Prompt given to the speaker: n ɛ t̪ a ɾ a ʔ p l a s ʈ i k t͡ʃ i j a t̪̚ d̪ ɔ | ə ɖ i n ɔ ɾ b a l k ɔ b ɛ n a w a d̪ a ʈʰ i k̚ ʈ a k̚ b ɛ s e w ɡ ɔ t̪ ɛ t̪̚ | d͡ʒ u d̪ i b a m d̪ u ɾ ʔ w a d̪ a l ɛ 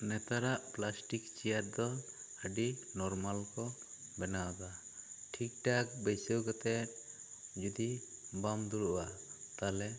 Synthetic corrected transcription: n ɛ t̪ a ɾ a ʔ p l a s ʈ i k t͡ʃ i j a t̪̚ d̪ ɔ | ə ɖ i n ɔ ɾ m a l k ɔ b ɛ n a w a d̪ a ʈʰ i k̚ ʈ a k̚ b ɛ s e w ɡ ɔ t̪ ɛ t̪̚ | d͡ʒ u d̪ i b a m d̪ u ɾ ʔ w a t̪ a l ɛ